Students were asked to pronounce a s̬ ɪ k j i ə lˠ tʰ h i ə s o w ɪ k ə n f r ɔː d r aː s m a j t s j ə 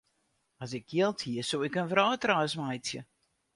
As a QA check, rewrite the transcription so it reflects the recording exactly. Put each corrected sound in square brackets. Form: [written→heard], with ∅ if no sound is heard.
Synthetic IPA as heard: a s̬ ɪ k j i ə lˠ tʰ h i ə s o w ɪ k ə n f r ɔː [d→t] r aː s m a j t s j ə

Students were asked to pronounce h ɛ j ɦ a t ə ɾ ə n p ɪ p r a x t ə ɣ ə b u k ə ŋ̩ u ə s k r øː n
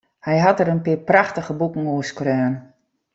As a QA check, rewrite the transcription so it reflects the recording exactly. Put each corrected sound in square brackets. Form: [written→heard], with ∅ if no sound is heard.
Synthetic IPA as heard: h ɛ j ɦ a t ə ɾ ə n p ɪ p r a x t ə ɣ ə b u k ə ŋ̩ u ə s k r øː n

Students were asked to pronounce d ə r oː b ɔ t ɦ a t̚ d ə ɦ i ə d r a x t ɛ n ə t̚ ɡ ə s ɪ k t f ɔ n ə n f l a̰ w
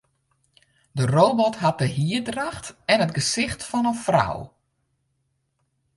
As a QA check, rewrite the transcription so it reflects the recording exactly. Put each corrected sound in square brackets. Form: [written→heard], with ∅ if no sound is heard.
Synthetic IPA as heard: d ə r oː b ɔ t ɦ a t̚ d ə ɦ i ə d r a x t ɛ n ə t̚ ɡ ə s ɪ [k→x] t f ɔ n ə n f [l→r] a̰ w

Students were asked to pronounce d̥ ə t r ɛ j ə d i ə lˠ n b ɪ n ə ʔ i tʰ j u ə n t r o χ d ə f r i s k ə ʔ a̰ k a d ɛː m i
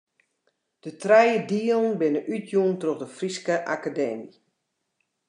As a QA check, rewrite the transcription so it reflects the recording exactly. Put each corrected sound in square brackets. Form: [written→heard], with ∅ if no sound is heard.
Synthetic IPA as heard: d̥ ə t r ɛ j ə d i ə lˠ n b ɪ n ə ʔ [i→y] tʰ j u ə n t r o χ d ə f r i s k ə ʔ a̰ k a d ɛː m i

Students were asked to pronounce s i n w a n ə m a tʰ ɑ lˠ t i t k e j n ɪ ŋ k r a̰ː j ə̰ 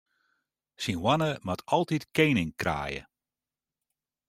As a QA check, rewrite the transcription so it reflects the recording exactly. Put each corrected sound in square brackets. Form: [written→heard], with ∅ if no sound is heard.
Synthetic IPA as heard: s i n w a n ə m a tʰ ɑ lˠ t i t k e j n ɪ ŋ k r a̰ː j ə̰

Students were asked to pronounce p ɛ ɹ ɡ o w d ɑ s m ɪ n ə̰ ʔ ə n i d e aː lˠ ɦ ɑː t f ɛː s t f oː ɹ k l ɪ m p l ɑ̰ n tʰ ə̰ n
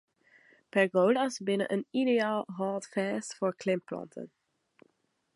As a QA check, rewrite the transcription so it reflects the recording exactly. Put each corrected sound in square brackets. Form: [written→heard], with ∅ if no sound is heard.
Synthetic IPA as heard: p ɛ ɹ ɡ o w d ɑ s [m→b] ɪ n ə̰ ʔ ə n i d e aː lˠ ɦ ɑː t f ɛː s t f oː ɹ k l ɪ m p l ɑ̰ n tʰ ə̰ n

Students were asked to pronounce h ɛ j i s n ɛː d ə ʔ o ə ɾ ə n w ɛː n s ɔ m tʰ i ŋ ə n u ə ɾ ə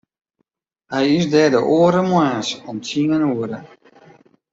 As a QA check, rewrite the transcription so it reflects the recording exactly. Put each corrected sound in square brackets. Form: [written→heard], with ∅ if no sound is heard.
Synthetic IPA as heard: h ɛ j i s [n→d] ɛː d ə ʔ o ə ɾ ə [n→m] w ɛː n s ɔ m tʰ i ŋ ə n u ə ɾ ə

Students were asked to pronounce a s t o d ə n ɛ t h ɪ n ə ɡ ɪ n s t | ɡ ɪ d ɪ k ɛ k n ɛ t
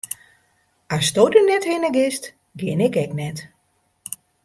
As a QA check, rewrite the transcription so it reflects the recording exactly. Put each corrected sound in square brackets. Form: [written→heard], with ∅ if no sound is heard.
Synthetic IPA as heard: a s t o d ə n ɛ t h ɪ n ə ɡ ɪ [n→∅] s t | ɡ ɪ [d→n] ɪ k ɛ k n ɛ t

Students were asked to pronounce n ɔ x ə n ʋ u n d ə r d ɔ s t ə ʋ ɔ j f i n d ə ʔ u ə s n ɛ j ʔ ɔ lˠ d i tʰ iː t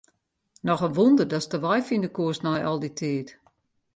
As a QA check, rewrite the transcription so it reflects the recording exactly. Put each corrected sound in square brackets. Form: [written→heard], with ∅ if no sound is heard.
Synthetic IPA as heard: n ɔ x ə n ʋ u n d ə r d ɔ s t ə ʋ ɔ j f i n d ə [ʔ→k] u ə s n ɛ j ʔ ɔ lˠ d i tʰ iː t

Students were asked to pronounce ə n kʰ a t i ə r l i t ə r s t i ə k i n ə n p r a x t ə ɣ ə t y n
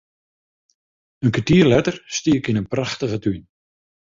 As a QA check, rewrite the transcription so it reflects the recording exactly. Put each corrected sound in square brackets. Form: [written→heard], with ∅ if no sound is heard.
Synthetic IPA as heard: ə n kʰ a t i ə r l [i→ɛ] t ə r s t i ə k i n ə n p r a x t ə ɣ ə t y n

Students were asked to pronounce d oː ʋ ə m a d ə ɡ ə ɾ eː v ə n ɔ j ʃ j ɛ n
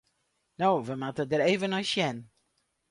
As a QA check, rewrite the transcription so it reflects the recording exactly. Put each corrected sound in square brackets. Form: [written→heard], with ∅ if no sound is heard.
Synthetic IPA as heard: [d→n] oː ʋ ə m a [d→t] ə [ɡ→d] ə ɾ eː v ə n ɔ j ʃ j ɛ n

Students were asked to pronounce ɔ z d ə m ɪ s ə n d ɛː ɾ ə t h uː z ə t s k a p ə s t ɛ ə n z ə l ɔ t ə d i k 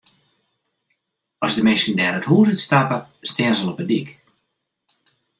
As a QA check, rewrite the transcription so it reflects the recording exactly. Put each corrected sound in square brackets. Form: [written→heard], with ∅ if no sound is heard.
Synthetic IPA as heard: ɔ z d ə m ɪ s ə n d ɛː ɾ ə t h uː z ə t s [k→t] a p ə s t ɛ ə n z ə l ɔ [t→p] ə d i k

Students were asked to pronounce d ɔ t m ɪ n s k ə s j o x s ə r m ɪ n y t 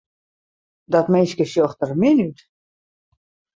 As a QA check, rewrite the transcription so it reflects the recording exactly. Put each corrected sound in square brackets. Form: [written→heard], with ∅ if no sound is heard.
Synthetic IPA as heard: d ɔ t m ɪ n s k ə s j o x [s→t] ə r m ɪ n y t

